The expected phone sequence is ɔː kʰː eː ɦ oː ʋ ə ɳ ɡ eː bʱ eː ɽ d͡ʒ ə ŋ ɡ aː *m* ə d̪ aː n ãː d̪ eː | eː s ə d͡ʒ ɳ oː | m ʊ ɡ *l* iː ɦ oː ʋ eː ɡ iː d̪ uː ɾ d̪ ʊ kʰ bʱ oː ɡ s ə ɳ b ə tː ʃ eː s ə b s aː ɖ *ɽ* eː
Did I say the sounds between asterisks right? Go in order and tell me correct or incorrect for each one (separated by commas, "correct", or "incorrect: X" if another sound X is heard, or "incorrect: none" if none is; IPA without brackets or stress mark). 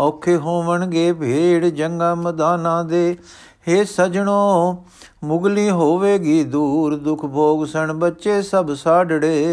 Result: correct, correct, correct